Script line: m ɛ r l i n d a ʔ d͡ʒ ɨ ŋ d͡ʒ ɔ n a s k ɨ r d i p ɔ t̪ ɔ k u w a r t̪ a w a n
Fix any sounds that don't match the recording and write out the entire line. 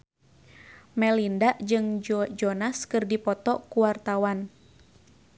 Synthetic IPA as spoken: m ɛ l i n d a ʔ d͡ʒ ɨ ŋ d͡ʒ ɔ n a s k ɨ r d i p ɔ t̪ ɔ k u w a r t̪ a w a n